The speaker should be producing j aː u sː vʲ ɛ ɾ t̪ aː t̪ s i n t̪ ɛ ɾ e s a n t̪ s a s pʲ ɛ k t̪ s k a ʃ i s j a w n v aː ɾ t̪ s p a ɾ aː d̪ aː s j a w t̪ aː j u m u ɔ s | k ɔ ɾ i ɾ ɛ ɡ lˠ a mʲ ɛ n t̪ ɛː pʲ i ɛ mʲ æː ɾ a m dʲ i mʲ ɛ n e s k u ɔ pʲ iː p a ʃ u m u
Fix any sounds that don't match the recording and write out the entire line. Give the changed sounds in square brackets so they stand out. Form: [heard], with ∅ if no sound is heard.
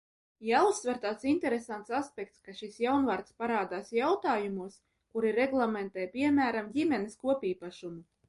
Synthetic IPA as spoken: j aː u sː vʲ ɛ ɾ t̪ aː t̪ s i n t̪ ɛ ɾ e s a n t̪ s a s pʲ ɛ k t̪ s k a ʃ i s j a w n v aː ɾ t̪ s p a ɾ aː d̪ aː s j a w t̪ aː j u m u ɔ s | k [u] ɾ i ɾ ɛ ɡ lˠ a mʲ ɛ n t̪ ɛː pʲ i ɛ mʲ æː ɾ a m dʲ i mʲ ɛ n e s k u ɔ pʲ iː p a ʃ u m u